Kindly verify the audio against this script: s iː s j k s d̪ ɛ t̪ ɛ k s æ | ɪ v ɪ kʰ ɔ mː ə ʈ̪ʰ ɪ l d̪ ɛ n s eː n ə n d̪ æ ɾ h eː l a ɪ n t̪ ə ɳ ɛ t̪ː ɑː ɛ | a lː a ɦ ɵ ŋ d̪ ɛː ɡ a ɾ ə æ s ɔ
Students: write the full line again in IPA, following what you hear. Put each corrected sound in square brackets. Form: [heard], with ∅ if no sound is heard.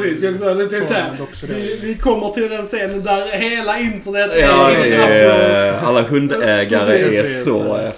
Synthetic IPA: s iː s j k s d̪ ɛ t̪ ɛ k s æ | ɪ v ɪ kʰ ɔ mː ə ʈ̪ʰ ɪ l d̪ ɛ n s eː n ə n d̪ æ ɾ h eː l a ɪ n t̪ ə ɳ ɛ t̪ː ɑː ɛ | a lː a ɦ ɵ [n] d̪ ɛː ɡ a ɾ ə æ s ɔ